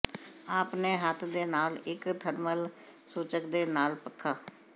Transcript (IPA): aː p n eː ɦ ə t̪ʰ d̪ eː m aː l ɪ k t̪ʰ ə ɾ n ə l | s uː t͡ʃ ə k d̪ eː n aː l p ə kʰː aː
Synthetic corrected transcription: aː p n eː ɦ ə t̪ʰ d̪ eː n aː l ɪ k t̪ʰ ə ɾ m ə l | s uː t͡ʃ ə k d̪ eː n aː l p ə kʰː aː